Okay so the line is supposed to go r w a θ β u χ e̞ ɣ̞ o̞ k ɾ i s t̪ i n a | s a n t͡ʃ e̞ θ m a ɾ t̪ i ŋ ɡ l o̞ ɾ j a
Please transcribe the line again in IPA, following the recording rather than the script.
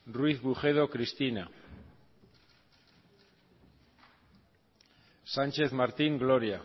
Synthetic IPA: r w i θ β u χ e̞ ð̞ o̞ k ɾ i s t̪ i n a | s a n t͡ʃ e̞ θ m a ɾ t̪ i ŋ ɡ l o̞ ɾ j a